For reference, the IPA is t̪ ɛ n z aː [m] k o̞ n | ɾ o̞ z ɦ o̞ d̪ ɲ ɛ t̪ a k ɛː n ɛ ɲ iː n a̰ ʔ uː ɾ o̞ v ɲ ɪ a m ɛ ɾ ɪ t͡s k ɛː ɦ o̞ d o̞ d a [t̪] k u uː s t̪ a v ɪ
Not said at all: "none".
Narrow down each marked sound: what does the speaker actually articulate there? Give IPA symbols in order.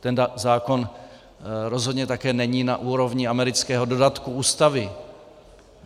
none, t̪

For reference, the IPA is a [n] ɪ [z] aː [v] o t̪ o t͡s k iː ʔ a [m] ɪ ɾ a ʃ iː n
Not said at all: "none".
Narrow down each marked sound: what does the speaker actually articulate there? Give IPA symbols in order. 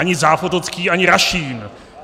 ɲ, z, f, ɲ

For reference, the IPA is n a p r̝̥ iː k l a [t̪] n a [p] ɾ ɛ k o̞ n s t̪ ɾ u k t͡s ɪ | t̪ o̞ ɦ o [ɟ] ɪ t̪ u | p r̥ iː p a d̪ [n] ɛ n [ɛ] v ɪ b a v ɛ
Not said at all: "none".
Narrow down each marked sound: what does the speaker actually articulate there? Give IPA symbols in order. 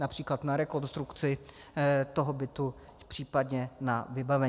t̪, none, b, ɲ, a

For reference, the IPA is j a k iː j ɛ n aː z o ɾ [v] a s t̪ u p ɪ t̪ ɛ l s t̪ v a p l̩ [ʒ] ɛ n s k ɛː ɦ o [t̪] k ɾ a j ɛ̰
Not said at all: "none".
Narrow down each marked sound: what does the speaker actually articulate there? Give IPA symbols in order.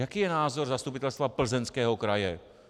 z, z, none

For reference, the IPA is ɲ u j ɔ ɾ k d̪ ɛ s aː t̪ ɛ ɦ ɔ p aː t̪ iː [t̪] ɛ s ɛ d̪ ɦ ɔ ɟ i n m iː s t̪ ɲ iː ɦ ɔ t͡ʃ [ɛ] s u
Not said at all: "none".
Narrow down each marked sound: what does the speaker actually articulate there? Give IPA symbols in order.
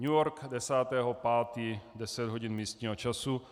d̪, a

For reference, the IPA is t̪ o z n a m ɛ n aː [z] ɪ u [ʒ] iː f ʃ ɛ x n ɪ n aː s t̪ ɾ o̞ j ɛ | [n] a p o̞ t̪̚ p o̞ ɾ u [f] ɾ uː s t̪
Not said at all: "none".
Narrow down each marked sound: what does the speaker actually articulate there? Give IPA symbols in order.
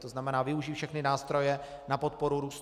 v, ʒ, n, none

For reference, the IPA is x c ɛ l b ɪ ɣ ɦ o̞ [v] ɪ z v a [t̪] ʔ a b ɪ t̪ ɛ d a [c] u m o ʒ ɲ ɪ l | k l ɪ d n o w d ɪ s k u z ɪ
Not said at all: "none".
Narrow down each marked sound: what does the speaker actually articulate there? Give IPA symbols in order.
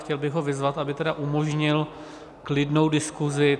v, t̪, ʔ

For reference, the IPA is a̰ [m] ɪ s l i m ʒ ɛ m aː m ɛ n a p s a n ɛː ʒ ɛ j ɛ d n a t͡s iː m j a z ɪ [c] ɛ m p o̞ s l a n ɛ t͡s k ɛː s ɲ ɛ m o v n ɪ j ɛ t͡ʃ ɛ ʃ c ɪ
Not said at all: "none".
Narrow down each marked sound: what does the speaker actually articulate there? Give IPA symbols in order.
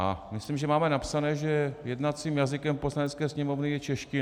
m, k

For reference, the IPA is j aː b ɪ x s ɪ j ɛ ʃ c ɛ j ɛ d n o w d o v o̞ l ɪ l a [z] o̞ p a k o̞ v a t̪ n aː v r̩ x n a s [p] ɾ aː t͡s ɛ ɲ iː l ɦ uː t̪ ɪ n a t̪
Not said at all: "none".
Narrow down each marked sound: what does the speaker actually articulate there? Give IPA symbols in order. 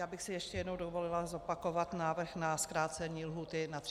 z, k

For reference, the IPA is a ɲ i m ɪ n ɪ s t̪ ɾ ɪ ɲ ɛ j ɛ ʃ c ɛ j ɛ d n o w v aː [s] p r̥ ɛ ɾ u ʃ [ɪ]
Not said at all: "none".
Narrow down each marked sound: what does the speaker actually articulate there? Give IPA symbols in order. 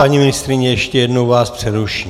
s, i

